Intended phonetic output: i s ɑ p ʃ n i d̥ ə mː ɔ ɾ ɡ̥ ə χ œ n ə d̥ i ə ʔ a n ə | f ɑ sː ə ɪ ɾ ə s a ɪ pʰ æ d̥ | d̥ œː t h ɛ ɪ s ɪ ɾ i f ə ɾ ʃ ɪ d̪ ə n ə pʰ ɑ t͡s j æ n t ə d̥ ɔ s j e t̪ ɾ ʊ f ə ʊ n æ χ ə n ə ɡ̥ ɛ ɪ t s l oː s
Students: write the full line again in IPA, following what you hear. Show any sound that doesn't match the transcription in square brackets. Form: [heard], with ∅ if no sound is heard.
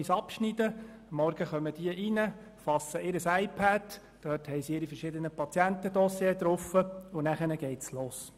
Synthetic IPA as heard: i s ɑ p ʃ n i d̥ ə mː ɔ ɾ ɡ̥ ə χ œ [m] ə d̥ i ə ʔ [i] n ə | f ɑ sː ə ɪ ɾ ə s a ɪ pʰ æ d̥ | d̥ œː t h ɛ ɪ s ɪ ɾ i f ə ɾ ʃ ɪ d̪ ə n ə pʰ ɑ t͡s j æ n t ə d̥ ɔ s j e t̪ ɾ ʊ f ə ʊ n æ χ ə n ə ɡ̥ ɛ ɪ t s l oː s